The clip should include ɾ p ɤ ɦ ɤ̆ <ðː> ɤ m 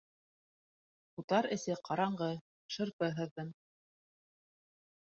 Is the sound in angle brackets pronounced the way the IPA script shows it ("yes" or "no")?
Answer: yes